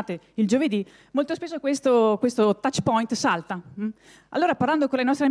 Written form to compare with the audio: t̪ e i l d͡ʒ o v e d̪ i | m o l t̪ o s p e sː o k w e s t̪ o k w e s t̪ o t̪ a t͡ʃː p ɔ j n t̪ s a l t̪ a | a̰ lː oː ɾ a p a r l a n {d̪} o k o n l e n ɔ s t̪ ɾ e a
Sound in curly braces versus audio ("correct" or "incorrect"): correct